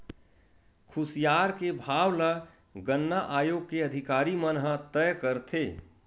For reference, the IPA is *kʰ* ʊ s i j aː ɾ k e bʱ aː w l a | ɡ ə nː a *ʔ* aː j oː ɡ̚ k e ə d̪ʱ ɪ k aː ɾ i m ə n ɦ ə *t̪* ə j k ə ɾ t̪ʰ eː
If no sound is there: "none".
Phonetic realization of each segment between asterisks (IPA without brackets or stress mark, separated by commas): kʰ, ʔ, t̪